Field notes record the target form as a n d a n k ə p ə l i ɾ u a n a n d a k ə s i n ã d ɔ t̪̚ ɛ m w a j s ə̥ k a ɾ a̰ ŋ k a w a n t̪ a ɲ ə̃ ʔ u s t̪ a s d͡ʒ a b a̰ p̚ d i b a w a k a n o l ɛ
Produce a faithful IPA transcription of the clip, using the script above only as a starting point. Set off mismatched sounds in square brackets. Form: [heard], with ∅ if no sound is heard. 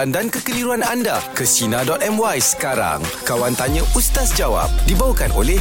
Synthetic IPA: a n d a n k ə [k] ə l i ɾ u a n a n d a k ə s i n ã d ɔ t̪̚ ɛ m w a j s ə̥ k a ɾ a̰ ŋ k a w a n t̪ a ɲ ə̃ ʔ u s t̪ a s d͡ʒ a [w] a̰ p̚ d i b a w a k a n o l ɛ